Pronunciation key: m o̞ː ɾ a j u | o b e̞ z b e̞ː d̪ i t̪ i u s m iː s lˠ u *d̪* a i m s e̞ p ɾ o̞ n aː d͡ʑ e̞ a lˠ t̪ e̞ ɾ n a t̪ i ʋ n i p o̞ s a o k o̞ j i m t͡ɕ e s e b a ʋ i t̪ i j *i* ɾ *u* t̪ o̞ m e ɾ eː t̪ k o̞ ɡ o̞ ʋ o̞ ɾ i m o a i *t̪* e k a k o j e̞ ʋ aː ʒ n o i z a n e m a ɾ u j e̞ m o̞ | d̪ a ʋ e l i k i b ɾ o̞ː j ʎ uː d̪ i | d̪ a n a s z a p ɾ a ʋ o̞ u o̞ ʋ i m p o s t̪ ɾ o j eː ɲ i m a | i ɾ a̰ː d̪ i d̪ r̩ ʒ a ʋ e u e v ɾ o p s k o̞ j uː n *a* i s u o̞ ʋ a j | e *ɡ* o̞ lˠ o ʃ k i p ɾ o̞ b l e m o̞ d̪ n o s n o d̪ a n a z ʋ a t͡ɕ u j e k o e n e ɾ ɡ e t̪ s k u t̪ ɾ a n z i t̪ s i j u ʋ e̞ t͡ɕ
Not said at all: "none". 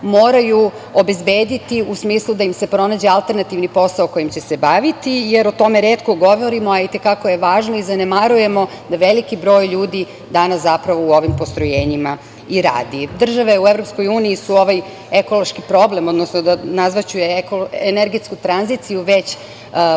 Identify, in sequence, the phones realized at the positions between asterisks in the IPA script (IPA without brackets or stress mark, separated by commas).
d̪, e, o, t̪, i, k